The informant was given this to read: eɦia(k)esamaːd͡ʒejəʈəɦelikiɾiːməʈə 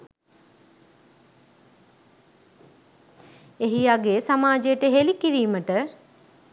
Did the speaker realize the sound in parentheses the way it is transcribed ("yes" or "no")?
no